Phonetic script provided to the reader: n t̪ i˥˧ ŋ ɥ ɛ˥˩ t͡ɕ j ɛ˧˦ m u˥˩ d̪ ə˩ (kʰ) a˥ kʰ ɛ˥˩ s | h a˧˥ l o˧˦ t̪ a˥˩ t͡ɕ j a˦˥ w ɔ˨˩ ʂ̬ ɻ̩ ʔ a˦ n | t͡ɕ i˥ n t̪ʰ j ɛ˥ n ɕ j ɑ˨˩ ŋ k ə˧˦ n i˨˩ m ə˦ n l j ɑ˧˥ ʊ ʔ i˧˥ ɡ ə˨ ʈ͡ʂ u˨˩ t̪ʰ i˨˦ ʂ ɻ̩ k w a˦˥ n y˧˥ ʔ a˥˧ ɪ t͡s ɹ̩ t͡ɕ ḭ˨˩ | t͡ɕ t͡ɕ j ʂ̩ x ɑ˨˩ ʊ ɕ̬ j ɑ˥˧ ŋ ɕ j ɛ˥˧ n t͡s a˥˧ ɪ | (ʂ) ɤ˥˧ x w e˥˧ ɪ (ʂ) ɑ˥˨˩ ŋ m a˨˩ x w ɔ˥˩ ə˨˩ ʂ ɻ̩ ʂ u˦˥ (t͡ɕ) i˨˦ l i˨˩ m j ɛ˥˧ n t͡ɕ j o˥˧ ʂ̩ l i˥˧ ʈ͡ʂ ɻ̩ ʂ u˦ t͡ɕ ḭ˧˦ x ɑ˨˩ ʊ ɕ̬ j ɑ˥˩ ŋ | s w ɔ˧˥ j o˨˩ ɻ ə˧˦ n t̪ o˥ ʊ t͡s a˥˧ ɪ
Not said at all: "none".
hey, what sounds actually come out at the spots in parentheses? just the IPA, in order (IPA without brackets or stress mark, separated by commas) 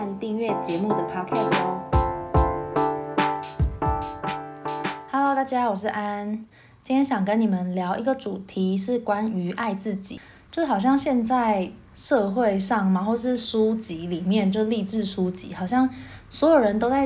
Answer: pʰ, ʂ, ʂ, t͡ɕ